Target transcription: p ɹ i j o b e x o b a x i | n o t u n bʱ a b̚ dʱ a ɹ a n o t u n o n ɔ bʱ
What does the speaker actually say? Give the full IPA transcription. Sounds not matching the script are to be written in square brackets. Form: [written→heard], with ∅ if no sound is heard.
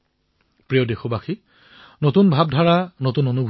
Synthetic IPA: p ɹ i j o [b→d] e x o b a x i | n o t u n bʱ a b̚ dʱ a ɹ a n o t u n o n [ɔ→u] bʱ